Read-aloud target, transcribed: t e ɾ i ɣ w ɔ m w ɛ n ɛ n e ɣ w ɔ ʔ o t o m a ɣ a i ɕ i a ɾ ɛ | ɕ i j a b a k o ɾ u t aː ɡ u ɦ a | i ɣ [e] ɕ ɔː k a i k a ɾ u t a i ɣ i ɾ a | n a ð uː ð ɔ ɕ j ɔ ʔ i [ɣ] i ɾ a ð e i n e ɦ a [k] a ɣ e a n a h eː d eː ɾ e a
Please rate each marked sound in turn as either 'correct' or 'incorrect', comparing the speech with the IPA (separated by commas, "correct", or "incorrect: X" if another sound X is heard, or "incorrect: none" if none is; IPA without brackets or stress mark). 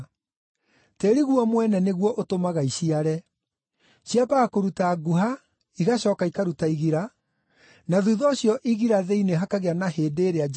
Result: incorrect: a, correct, correct